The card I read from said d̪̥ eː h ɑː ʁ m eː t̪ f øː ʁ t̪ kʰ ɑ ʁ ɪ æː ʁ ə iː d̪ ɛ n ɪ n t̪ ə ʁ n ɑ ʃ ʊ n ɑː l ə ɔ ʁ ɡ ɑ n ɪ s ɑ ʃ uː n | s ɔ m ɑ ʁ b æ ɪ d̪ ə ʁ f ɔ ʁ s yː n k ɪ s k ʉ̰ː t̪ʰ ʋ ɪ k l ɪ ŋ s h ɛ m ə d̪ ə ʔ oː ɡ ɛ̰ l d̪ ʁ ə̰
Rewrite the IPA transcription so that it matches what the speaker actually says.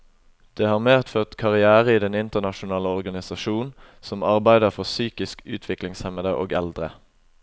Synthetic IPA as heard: d̪̥ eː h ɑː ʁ m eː t̪ f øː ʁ t̪ kʰ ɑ ʁ ɪ æː ʁ ə iː d̪ ɛ n ɪ n t̪ ə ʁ n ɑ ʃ ʊ n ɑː l ə ɔ ʁ ɡ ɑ n ɪ s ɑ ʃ uː n | s ɔ m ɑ ʁ b æ ɪ d̪ ə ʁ f ɔ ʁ s yː k ɪ s k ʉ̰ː t̪ʰ ʋ ɪ k l ɪ ŋ s h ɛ m ə d̪ ə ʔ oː ɡ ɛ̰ l d̪ ʁ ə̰